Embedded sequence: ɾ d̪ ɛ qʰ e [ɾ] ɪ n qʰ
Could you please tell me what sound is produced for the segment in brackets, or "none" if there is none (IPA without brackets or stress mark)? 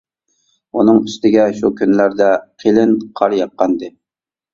l